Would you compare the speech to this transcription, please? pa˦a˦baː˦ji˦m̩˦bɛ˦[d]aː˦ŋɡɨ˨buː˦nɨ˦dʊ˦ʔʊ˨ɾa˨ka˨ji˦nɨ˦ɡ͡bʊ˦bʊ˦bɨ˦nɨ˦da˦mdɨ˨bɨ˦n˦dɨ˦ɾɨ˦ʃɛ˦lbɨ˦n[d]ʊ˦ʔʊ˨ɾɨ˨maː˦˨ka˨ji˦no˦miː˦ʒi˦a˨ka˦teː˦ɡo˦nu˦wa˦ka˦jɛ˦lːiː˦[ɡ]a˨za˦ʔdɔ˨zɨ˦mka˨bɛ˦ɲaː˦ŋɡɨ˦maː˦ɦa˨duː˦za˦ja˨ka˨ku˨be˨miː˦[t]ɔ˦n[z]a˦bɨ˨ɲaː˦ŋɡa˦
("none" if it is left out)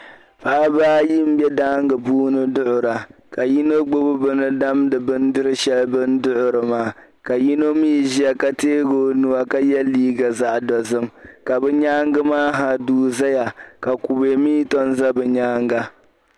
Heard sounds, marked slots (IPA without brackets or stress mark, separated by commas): d, d, ɡ, t, z